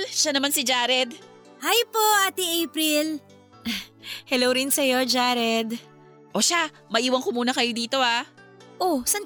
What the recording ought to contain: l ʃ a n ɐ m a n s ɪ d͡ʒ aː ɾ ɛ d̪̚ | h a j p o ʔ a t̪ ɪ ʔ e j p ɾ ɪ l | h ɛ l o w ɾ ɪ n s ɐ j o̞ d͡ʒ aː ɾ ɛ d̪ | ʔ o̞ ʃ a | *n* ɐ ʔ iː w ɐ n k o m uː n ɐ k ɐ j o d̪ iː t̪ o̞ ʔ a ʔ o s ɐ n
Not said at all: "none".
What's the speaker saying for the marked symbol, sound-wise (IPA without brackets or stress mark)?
m